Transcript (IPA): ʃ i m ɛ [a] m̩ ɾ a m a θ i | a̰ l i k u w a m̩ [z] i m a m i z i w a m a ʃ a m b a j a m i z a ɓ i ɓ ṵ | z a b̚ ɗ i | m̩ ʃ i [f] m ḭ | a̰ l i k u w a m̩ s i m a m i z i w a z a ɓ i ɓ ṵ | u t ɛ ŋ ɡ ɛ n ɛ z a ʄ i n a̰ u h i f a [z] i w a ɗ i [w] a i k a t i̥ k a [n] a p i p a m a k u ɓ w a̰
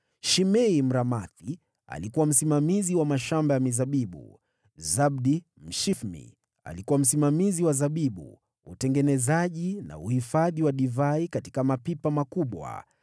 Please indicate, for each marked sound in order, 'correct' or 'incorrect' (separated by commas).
incorrect, incorrect, correct, incorrect, incorrect, incorrect